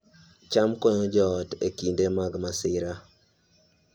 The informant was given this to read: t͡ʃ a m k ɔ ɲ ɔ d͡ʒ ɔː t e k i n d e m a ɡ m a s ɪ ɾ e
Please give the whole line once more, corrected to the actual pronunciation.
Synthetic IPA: t͡ʃ a m k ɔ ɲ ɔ d͡ʒ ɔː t e k i n d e m a ɡ m a s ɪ ɾ a